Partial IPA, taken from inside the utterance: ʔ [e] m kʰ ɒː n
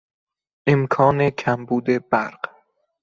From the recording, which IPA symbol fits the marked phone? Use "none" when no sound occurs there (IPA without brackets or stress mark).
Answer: e